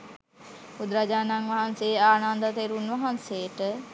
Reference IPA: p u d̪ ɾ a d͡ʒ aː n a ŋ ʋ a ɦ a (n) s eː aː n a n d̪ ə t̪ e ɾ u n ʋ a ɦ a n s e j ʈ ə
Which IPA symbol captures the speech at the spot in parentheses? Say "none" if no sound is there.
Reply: n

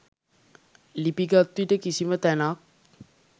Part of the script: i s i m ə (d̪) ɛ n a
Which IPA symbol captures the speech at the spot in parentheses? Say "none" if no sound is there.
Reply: t̪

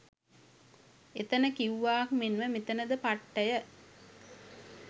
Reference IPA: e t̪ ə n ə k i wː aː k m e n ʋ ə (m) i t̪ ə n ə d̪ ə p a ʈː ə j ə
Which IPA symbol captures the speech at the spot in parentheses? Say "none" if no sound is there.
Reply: m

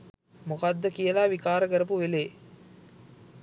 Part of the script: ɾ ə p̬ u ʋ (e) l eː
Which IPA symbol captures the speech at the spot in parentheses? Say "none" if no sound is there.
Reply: e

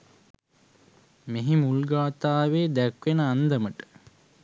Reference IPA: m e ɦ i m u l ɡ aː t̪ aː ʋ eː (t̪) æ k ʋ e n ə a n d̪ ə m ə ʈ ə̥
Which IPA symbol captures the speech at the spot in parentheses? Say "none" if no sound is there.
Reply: d̪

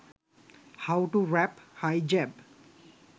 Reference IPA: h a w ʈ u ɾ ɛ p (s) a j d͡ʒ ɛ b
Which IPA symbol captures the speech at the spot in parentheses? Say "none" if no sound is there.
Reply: h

